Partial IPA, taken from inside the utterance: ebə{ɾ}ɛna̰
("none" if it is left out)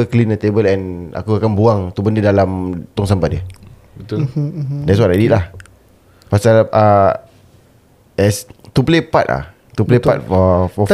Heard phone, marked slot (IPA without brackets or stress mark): l